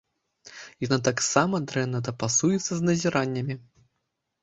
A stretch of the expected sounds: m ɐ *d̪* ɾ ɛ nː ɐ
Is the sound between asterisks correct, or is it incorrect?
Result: correct